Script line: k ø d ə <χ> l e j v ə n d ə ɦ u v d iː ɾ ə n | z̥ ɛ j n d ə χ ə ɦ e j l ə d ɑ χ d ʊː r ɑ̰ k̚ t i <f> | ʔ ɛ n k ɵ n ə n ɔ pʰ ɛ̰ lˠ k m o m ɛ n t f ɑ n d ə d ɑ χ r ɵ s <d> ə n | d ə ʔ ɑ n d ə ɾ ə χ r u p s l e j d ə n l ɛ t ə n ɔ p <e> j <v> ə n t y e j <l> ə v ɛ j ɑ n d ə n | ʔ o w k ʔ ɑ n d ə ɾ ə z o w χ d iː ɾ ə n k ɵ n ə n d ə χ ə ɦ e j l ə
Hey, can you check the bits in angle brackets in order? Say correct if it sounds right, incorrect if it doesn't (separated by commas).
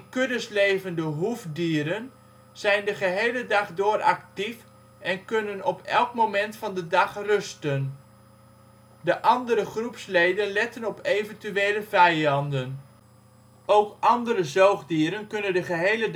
incorrect, correct, incorrect, correct, correct, correct